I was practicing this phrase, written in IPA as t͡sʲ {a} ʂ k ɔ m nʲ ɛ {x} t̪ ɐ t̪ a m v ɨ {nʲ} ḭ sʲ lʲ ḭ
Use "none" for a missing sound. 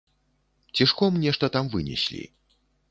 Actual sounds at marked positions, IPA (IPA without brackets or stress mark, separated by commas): i, ʂ, nʲ